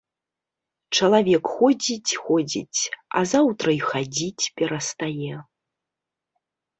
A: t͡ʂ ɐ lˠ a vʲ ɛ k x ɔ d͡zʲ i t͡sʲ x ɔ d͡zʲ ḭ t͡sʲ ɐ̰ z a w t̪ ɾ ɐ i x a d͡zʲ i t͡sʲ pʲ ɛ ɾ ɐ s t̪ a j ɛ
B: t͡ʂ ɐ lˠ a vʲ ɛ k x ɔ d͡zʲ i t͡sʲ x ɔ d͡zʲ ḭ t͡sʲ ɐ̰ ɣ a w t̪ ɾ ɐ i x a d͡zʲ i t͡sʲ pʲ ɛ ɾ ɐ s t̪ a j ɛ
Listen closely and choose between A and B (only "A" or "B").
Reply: A